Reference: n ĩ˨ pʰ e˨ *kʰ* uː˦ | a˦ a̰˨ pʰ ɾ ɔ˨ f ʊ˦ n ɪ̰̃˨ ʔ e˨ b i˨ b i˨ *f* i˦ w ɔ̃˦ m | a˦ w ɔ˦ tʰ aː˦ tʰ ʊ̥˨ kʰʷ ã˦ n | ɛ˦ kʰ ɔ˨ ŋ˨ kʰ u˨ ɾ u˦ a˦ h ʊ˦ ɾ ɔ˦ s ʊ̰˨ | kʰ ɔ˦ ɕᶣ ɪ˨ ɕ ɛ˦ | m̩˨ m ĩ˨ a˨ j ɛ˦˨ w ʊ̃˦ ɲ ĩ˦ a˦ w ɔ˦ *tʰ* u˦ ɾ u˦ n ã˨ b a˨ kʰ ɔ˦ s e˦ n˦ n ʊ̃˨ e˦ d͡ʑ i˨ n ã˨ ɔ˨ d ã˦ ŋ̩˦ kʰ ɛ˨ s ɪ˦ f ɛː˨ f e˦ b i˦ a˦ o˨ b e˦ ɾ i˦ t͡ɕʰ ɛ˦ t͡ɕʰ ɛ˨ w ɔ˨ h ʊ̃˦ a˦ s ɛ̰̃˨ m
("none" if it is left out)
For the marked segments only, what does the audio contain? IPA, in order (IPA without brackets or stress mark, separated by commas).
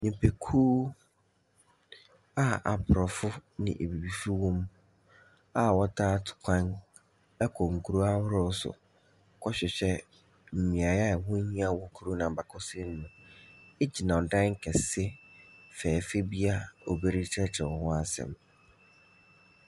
kʰ, f, kʰ